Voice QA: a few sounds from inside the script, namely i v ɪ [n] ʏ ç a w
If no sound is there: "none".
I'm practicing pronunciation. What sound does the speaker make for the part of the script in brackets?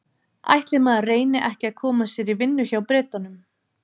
nː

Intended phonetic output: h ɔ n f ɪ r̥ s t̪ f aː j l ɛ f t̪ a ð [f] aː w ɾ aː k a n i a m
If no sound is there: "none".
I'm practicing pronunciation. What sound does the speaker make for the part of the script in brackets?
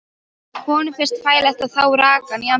θ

